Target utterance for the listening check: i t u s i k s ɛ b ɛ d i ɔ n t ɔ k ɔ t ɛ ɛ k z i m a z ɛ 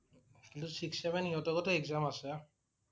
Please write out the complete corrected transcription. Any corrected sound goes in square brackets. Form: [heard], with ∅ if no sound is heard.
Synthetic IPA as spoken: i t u s i k s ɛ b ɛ [n] i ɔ [∅] t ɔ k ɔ t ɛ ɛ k z [a] m a [s] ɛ